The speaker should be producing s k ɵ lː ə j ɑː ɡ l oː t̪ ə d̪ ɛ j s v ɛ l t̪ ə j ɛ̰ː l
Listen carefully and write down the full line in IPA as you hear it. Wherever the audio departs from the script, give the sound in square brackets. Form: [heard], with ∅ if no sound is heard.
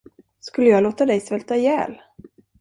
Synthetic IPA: s k ɵ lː ə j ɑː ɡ l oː t̪ [a] d̪ ɛ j s v ɛ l t̪ [a] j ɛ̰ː l